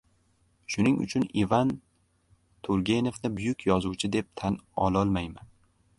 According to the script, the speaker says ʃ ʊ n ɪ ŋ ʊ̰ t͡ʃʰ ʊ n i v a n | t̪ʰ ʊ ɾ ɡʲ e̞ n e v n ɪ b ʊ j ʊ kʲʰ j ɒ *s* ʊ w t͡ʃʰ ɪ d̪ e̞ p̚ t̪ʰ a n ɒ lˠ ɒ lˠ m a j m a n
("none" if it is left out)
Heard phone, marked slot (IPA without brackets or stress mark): z